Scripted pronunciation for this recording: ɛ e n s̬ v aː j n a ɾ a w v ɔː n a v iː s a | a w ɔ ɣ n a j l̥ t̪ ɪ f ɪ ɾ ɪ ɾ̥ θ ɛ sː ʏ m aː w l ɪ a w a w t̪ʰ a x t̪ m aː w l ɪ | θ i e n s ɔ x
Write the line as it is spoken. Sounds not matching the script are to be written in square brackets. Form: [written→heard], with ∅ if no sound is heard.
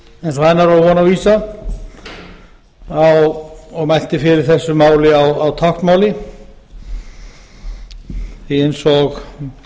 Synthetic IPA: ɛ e n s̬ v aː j n a ɾ a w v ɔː n a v iː s a | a w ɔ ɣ [n→m] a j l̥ t̪ ɪ f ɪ ɾ ɪ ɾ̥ θ ɛ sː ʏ m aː w l ɪ a w a w t̪ʰ a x t̪ m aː w l ɪ | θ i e n s ɔ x